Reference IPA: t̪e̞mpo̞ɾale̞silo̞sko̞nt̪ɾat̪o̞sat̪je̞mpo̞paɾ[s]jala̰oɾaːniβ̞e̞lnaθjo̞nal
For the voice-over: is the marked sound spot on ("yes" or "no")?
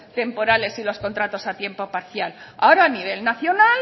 no